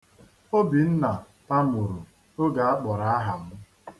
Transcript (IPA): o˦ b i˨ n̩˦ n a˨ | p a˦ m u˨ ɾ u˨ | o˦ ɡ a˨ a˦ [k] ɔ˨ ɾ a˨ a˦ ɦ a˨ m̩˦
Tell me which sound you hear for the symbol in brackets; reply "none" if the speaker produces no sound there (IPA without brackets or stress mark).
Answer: k͡p